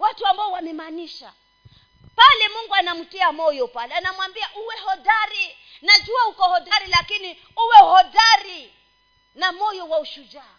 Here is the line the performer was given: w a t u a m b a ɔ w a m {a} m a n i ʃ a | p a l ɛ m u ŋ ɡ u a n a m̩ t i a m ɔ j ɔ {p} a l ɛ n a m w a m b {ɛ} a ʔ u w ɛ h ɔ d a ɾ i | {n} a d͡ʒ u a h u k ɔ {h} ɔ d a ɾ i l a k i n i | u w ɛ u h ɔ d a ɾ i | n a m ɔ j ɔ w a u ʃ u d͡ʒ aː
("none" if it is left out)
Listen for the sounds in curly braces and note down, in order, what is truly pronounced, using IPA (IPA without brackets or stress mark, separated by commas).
ɛ, p, i, n, h